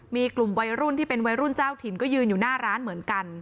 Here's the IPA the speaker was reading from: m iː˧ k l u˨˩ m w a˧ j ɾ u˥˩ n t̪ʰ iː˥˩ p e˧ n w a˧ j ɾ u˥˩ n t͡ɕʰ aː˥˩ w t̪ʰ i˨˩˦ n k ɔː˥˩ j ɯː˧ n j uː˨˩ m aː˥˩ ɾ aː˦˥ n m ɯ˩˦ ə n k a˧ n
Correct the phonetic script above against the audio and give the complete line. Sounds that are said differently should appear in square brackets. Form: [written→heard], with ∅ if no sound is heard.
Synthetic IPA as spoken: m iː˧ k l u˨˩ m w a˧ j ɾ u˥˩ n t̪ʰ iː˥˩ p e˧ n w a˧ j ɾ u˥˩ n [t͡ɕʰ→t͡ɕ] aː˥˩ w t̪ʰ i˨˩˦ n k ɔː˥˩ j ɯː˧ n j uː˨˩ [m→n] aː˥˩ ɾ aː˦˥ n m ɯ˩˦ ə n k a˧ n